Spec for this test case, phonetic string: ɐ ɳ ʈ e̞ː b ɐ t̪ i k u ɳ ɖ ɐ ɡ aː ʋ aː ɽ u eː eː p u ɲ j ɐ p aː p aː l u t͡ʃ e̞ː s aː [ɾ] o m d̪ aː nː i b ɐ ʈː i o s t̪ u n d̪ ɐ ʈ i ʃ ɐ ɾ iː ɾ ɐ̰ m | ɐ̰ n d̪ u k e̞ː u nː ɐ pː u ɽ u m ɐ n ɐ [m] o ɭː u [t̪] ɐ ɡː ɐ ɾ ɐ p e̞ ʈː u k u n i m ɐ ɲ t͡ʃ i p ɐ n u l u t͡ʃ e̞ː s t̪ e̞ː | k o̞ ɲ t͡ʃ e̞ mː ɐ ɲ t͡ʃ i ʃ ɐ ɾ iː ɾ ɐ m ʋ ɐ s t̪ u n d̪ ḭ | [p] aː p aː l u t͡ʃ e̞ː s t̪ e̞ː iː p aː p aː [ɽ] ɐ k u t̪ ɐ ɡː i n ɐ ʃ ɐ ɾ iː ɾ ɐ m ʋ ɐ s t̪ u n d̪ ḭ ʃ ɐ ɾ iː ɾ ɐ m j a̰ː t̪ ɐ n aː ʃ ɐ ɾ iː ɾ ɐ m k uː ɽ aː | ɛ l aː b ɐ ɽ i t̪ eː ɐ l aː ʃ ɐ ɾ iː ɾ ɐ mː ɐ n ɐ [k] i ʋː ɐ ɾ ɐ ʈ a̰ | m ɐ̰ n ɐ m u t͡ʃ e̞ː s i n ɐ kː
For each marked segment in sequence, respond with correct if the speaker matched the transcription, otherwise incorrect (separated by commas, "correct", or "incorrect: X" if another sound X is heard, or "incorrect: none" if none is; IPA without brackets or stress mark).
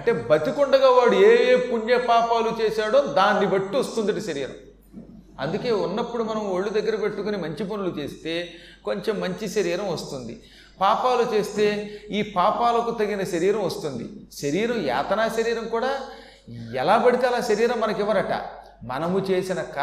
incorrect: ɽ, correct, incorrect: d̪, correct, incorrect: l, correct